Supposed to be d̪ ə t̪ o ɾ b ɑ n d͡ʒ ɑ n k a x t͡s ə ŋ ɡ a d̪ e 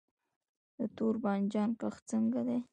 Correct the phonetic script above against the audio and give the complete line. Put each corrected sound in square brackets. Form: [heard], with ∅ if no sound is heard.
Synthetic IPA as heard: d̪ ə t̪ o ɾ b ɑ n d͡ʒ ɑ n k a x t͡s ə ŋ ɡ a d̪ e